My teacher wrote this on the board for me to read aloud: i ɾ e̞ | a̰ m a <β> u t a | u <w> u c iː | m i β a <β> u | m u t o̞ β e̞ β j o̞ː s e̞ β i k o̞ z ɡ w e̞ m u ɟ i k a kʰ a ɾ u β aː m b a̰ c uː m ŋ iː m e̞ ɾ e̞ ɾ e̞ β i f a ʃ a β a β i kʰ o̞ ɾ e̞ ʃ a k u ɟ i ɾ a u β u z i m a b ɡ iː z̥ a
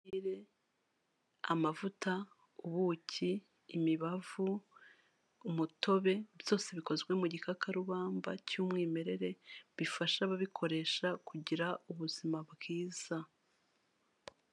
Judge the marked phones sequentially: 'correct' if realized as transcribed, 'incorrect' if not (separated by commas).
incorrect, incorrect, incorrect